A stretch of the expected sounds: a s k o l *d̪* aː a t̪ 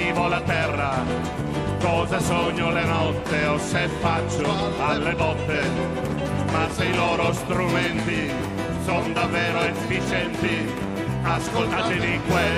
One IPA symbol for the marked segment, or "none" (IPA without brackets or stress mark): t̪